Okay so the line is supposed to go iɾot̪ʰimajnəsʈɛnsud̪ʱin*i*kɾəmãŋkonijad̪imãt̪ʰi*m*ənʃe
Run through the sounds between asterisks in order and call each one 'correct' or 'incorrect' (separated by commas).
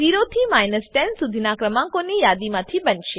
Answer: incorrect, incorrect